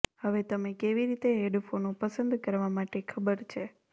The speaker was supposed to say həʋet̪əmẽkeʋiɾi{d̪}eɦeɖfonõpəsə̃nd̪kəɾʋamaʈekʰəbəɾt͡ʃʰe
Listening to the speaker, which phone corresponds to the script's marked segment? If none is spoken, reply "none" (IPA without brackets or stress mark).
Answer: t̪